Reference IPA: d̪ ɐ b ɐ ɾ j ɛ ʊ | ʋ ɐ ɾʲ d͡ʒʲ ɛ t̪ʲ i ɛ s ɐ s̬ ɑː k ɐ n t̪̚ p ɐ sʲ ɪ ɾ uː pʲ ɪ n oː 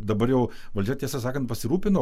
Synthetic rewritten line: d̪ ɐ b ɐ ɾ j ɛ ʊ | ʋ ɐ lʲ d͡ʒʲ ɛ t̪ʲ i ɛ s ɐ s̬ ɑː k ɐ n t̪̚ p ɐ sʲ ɪ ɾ uː pʲ ɪ n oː